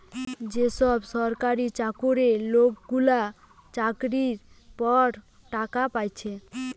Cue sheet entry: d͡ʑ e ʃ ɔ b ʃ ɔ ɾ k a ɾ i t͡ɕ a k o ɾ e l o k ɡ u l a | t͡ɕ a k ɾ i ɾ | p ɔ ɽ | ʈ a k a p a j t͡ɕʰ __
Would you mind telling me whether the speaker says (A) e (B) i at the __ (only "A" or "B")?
A